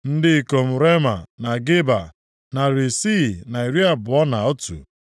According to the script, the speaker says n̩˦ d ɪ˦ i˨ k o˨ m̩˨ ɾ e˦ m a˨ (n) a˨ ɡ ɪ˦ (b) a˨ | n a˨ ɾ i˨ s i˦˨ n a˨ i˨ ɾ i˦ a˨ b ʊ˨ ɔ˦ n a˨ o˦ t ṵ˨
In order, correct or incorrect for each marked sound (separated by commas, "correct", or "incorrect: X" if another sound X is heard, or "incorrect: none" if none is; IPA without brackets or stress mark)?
correct, correct